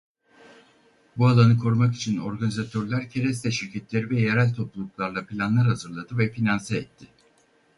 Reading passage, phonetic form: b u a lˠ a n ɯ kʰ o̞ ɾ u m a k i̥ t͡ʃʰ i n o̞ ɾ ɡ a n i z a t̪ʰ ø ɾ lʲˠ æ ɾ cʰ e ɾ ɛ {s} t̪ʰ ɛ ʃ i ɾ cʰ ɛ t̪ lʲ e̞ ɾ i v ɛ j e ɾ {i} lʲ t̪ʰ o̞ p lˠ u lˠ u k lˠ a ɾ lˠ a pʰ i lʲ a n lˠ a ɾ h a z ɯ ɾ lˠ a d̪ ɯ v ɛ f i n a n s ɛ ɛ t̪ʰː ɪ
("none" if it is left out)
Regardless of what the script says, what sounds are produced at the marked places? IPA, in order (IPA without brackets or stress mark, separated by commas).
s, æ